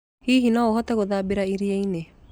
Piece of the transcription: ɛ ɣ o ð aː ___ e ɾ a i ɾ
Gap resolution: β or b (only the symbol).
b